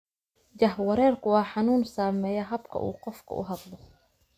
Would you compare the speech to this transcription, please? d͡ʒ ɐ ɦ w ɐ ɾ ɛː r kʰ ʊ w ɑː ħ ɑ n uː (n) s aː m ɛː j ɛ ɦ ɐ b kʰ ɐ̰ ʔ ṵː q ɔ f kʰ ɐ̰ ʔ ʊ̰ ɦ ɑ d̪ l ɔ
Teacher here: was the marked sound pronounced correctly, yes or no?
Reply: yes